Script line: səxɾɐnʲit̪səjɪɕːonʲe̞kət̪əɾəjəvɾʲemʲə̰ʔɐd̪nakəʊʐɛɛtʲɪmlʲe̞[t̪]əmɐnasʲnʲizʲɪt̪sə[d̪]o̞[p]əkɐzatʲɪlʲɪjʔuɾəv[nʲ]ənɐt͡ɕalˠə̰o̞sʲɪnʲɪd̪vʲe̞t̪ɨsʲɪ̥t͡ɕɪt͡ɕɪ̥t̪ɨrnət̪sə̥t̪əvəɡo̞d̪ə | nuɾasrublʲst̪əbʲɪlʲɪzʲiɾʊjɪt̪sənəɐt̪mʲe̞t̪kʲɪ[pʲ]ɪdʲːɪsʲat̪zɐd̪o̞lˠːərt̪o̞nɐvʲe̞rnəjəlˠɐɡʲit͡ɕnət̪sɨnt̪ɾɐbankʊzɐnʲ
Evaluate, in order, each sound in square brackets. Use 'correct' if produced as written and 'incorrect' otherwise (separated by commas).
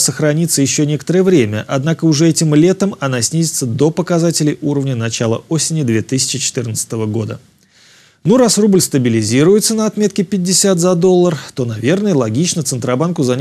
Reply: correct, correct, correct, correct, correct